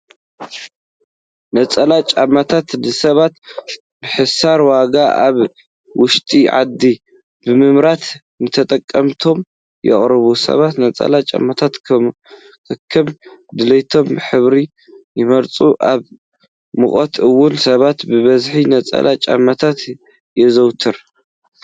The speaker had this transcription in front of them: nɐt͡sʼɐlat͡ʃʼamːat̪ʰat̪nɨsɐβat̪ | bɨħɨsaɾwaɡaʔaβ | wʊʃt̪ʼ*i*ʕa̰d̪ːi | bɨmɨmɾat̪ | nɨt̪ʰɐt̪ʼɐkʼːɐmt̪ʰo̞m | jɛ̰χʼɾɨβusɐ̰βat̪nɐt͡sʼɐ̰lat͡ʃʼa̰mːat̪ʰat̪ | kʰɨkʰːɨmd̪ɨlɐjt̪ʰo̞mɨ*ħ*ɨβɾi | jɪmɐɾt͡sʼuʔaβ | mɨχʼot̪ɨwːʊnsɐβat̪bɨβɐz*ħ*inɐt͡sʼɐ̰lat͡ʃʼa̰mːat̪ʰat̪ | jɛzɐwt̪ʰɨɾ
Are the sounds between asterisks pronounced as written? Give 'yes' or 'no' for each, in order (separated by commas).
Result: yes, yes, yes